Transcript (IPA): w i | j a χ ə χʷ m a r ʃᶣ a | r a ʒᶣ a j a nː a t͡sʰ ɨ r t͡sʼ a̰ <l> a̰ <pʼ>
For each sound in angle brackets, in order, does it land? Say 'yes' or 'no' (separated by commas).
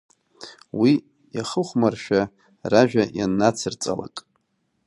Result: yes, no